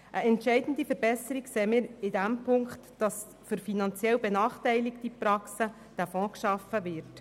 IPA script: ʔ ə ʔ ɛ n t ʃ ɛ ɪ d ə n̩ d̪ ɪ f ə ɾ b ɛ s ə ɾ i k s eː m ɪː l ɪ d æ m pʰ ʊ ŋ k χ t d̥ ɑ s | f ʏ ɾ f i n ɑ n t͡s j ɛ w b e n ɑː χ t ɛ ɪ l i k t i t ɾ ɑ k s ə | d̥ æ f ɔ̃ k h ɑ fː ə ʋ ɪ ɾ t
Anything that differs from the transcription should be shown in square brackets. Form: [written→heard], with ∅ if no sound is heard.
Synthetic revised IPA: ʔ ə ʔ ɛ n t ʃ ɛ ɪ d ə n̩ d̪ [ɪ→i] f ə ɾ b ɛ s ə ɾ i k s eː m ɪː [l→ɾ] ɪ d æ m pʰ ʊ ŋ k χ t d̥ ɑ s | f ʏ ɾ f i n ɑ n t͡s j ɛ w b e n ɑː χ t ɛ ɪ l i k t i [t→p] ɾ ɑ k s ə | d̥ æ f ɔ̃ k [h→ʃ] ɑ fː ə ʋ ɪ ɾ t